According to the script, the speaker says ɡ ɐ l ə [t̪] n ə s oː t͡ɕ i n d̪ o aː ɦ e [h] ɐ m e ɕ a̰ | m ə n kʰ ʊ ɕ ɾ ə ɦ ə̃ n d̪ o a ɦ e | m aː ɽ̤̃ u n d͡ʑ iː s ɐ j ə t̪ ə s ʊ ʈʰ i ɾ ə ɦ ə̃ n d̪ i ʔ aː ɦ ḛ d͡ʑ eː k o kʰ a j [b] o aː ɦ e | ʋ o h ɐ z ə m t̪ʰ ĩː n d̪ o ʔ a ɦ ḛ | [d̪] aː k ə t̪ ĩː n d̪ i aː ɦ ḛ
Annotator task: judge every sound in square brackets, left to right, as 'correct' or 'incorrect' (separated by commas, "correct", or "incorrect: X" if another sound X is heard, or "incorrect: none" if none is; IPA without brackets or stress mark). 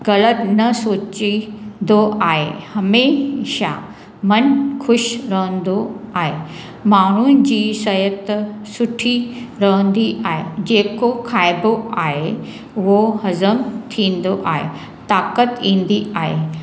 correct, correct, correct, incorrect: t̪